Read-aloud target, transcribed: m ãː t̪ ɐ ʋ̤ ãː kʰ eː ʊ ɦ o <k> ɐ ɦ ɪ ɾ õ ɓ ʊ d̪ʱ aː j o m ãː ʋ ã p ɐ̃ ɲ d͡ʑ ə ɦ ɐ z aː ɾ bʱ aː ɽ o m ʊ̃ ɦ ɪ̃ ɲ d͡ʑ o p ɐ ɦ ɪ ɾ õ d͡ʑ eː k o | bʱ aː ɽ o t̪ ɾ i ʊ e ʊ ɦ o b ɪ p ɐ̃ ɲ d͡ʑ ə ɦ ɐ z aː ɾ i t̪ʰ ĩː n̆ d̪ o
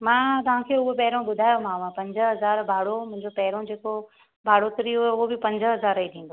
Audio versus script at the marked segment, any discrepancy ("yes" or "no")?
yes